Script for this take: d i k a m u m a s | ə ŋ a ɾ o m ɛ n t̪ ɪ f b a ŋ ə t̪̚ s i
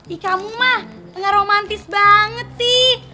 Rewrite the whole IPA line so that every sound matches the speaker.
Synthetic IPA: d i k a m u m a h | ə ŋ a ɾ o m a n t̪ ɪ s b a ŋ ə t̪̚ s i